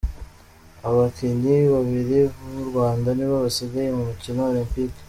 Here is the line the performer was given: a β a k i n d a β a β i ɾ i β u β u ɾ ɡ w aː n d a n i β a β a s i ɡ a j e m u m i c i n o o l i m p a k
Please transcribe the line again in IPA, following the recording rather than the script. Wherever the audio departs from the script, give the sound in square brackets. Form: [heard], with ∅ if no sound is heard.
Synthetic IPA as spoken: a β a k i n d [i] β a β i ɾ i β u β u ɾ ɡ w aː n d a n i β a β a s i ɡ a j e m u m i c i n o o l i m p [i] k